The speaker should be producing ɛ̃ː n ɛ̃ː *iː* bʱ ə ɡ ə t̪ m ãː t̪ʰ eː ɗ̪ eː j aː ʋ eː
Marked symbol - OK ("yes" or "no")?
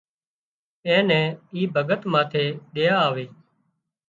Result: yes